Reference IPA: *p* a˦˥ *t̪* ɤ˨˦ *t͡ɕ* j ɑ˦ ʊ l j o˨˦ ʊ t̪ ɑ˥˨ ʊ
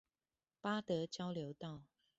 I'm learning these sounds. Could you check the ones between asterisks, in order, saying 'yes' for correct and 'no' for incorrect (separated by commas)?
yes, yes, yes